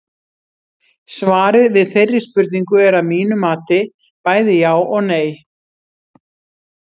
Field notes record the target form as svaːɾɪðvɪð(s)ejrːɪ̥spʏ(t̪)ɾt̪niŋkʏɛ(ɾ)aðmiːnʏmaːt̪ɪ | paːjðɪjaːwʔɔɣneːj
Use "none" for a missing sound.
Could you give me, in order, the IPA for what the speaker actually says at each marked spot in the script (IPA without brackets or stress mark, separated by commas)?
θ, none, ɾ